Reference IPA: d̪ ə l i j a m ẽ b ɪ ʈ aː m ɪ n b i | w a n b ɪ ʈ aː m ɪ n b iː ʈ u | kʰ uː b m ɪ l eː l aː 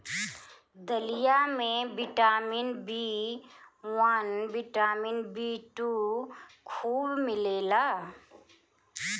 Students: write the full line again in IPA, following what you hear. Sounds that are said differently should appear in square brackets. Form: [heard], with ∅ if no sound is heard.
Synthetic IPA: d̪ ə l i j a m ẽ b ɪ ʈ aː m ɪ n b i | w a n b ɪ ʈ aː m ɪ n b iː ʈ u | kʰ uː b m ɪ l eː l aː